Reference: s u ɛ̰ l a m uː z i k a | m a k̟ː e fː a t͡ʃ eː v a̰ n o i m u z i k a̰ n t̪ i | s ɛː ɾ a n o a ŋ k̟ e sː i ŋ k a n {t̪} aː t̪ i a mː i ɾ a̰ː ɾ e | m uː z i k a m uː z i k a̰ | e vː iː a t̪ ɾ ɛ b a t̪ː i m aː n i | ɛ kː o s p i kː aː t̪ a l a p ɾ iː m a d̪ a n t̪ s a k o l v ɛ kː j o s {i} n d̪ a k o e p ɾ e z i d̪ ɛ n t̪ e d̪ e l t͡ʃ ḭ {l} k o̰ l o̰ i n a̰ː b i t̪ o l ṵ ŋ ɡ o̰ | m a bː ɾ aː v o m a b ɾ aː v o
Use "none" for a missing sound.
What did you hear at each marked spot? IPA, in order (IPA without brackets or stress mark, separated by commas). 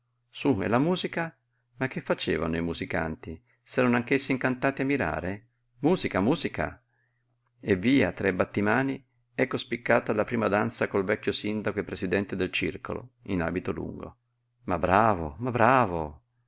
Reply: t̪, i, r